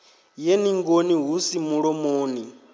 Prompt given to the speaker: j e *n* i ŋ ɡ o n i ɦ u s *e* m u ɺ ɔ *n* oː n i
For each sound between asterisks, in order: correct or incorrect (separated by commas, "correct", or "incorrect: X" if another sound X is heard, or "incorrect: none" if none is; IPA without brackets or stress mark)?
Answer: correct, incorrect: i, incorrect: m